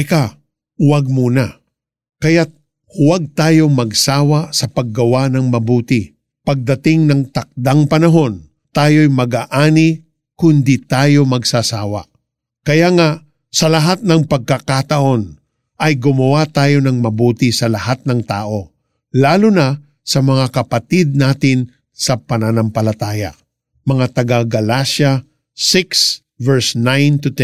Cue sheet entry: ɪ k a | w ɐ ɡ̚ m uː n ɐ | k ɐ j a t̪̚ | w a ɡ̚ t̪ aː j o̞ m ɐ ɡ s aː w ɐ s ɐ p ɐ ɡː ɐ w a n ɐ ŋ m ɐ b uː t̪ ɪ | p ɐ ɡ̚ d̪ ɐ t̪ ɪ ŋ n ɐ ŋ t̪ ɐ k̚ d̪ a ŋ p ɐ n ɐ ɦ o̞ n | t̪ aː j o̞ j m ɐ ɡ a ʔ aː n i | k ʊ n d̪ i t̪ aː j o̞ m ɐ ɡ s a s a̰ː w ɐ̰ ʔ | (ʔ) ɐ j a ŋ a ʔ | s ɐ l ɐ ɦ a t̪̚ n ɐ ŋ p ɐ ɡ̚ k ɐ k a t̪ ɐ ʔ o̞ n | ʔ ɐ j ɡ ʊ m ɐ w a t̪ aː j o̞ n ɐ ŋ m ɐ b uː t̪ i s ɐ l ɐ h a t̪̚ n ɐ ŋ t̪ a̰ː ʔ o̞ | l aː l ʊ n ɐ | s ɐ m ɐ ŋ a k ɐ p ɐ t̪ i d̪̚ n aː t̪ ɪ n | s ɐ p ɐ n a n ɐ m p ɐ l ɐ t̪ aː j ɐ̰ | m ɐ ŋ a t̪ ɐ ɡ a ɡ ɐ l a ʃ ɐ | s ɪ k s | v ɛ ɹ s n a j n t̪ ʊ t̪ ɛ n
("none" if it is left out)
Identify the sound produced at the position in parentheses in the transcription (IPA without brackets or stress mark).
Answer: k